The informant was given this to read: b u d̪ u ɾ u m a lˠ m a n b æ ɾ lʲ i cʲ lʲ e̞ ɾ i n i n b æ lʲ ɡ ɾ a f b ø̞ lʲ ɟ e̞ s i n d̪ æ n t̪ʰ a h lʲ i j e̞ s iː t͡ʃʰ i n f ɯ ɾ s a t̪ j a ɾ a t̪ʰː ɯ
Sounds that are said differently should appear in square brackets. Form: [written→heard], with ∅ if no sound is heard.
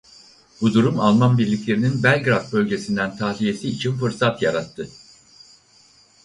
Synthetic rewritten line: b u d̪ u ɾ u m a lˠ m a n b [æ→i] ɾ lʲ i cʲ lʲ e̞ ɾ i n i n b æ lʲ ɡ ɾ a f b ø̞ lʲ ɟ e̞ s i n d̪ æ n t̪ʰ a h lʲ i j e̞ s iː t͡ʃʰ i n f ɯ ɾ s a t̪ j a ɾ a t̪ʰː ɯ